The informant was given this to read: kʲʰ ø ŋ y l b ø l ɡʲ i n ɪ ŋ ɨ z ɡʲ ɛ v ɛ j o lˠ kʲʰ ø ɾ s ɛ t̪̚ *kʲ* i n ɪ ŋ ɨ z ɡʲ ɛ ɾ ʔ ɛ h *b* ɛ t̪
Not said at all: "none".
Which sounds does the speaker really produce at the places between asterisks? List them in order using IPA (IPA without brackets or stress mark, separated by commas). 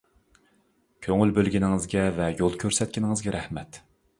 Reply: kʲ, m